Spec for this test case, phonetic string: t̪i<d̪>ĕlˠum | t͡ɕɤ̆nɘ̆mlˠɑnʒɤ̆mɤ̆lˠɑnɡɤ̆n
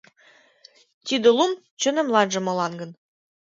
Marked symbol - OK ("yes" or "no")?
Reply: yes